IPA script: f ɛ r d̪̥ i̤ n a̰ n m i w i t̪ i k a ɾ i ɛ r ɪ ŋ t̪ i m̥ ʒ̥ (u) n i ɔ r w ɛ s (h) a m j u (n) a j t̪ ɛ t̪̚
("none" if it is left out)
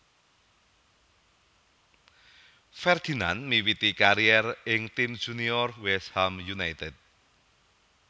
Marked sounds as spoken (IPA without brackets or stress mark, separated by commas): u, h, n